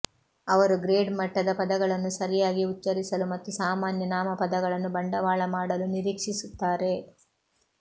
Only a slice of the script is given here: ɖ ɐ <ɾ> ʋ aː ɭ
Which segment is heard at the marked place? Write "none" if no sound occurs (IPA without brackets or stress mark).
none